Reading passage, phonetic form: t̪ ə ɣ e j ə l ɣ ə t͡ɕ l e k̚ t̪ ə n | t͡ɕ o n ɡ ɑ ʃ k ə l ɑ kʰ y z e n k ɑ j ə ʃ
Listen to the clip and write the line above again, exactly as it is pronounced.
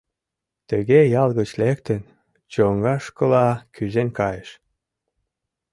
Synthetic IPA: t̪ ə ɣ e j ɑ l ɣ ə t͡ɕ l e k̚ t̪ ə n | t͡ɕ o ŋ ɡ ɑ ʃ k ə l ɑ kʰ y z e n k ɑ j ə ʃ